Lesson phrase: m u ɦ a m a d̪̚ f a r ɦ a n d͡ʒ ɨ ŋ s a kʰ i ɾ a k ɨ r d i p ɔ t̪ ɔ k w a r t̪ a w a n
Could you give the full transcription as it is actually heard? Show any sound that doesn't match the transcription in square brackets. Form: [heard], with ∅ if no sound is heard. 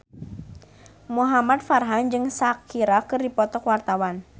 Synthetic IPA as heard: m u ɦ a m a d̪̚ f a r ɦ a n d͡ʒ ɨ ŋ s a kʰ i ɾ a k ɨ r d i p ɔ t̪ ɔ k w a r t̪ a w a n